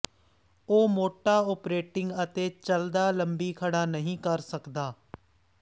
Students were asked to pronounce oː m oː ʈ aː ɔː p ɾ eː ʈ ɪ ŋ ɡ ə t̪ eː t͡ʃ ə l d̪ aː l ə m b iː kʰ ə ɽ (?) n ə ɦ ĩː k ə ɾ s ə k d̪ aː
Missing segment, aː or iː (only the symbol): aː